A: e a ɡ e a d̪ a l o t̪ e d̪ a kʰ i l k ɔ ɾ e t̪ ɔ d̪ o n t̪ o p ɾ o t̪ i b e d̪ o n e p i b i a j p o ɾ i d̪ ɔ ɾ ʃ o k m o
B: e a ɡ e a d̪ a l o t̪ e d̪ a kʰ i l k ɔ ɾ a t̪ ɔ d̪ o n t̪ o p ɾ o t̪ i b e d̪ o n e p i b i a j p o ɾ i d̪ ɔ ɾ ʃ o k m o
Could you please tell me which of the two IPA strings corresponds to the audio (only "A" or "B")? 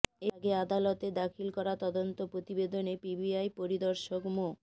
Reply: B